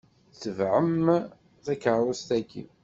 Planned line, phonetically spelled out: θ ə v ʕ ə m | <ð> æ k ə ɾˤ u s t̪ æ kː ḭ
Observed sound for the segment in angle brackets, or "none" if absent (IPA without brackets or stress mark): θ